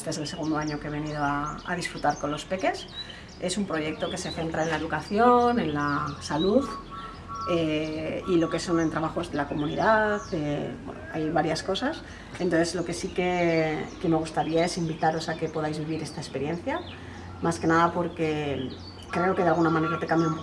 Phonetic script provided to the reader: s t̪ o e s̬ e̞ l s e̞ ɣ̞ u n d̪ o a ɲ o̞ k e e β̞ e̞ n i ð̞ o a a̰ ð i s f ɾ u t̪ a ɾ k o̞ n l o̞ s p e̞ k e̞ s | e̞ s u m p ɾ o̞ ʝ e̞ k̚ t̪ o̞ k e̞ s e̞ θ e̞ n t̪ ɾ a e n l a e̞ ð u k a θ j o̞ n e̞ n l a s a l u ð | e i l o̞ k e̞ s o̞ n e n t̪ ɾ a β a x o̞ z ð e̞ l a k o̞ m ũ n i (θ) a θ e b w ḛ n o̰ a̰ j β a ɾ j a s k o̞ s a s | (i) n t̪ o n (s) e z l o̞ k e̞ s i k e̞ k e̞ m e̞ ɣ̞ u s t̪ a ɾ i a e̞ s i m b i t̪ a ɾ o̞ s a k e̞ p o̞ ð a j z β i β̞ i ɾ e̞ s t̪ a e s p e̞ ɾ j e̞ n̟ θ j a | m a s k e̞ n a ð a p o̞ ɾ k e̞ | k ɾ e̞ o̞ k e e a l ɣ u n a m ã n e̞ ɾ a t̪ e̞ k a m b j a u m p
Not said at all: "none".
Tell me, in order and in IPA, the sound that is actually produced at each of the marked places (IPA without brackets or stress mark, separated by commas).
ð, e, θ